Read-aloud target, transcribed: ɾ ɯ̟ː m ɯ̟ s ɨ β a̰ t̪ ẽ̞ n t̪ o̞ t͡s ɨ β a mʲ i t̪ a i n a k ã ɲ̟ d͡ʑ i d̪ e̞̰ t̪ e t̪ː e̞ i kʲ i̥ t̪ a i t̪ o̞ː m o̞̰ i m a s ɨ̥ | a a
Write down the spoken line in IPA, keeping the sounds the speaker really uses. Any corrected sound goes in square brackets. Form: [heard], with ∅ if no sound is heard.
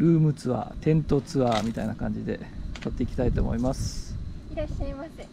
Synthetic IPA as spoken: ɾ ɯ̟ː m ɯ̟ [t͡s] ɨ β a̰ t̪ ẽ̞ n t̪ o̞ t͡s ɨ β a mʲ i t̪ a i n a k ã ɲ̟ d͡ʑ i d̪ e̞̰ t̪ [a] t̪ː e̞ i kʲ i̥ t̪ a i t̪ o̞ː m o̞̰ i m a s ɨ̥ | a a